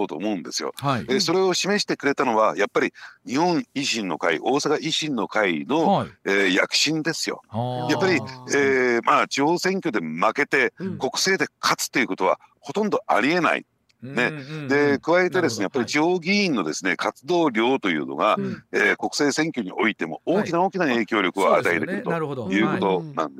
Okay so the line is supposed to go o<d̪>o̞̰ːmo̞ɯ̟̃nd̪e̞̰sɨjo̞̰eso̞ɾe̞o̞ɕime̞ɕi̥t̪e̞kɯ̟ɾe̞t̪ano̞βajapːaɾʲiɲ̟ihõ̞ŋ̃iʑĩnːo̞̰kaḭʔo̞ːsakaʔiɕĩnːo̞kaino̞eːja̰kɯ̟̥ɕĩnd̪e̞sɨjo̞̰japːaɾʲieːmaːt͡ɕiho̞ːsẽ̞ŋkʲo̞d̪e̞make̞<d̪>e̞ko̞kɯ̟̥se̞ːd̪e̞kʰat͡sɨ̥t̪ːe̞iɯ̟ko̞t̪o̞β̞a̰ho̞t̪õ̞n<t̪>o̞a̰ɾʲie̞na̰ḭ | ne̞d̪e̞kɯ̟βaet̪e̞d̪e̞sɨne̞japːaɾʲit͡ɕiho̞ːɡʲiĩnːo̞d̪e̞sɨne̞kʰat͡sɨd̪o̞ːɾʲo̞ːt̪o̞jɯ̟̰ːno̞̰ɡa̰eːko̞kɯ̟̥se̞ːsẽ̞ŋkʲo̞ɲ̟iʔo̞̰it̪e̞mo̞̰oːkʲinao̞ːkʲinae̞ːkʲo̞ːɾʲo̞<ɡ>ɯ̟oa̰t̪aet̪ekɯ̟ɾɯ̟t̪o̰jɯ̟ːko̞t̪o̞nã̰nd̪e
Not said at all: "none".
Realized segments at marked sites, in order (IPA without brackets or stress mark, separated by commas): t̪, t̪, d̪, k